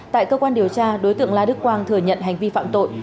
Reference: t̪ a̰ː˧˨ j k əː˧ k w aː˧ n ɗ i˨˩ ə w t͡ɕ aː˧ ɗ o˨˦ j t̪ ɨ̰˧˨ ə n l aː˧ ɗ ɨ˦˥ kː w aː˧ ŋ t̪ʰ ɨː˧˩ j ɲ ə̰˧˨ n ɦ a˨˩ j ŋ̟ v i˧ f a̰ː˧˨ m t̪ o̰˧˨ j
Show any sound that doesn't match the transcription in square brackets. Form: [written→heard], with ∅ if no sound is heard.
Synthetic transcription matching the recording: t̪ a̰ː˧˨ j k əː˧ k w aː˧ n ɗ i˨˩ ə w t͡ɕ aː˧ ɗ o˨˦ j t̪ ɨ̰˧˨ ə [n→ŋ] l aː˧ ɗ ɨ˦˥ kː w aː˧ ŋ t̪ʰ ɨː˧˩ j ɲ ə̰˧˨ n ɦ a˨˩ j ŋ̟ v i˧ f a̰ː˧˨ m t̪ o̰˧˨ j